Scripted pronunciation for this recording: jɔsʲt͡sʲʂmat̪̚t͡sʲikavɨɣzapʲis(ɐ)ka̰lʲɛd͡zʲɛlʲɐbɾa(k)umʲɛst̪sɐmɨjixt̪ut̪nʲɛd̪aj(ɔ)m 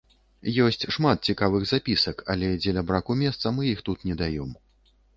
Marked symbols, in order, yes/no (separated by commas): yes, yes, yes